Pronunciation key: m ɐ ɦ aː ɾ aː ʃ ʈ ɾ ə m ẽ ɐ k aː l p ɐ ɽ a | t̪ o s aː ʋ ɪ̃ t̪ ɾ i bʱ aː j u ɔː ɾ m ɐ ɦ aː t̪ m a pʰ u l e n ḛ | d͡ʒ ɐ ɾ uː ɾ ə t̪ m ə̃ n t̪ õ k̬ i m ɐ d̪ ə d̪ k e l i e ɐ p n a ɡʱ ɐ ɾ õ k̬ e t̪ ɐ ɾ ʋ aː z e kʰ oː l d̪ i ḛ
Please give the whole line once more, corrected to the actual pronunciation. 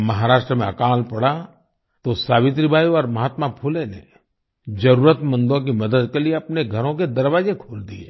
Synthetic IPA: m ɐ ɦ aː ɾ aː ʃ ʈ ɾ ə m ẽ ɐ k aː l p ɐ ɽ a | t̪ o s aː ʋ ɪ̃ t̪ ɾ i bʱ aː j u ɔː ɾ m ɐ ɦ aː t̪ m a pʰ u l e n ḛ | d͡ʒ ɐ ɾ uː ɾ ə t̪ m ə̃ n d̪ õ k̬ i m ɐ d̪ ə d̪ k e l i e ɐ p n e ɡʱ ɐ ɾ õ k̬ e d̪ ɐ ɾ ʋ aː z e kʰ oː l d̪ i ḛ

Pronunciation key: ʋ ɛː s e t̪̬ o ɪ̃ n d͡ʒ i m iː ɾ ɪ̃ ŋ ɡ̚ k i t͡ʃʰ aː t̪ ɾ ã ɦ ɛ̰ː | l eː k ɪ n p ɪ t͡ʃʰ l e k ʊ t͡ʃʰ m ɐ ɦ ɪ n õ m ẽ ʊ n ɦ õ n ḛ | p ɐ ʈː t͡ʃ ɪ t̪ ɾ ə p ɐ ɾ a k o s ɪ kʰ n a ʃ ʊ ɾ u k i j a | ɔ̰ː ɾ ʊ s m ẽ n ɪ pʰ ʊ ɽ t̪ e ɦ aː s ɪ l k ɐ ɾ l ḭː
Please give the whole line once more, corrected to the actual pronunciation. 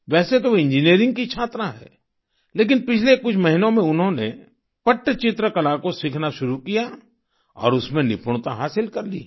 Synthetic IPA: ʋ ɛː s e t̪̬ o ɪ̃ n d͡ʒ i n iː ɾ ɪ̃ ŋ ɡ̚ k i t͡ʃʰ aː t̪ ɾ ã ɦ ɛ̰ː | l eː k ɪ n p ɪ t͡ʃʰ l e k ʊ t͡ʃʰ m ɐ ɦ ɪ n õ m ẽ ʊ n ɦ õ n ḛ | p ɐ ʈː t͡ʃ ɪ t̪ ɾ ə k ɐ l a k o s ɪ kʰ n a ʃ ʊ ɾ u k i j a | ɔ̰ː ɾ ʊ s m ẽ n ɪ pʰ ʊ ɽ t̪ a ɦ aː s ɪ l k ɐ ɾ l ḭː

